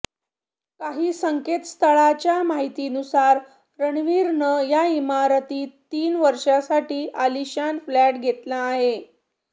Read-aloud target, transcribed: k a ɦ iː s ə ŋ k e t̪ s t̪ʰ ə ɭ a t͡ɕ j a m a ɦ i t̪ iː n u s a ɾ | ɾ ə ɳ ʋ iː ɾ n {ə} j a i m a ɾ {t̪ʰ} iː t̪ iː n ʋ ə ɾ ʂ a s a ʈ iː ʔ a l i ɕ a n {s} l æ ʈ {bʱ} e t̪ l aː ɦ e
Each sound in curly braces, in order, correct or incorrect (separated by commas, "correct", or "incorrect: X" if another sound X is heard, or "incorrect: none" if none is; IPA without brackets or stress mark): correct, incorrect: t̪, incorrect: f, incorrect: ɡʱ